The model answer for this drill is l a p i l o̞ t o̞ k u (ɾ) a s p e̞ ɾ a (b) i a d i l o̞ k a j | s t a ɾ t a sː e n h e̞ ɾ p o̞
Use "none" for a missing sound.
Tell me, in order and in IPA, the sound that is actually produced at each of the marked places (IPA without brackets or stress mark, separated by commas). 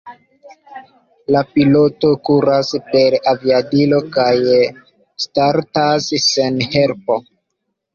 ɾ, v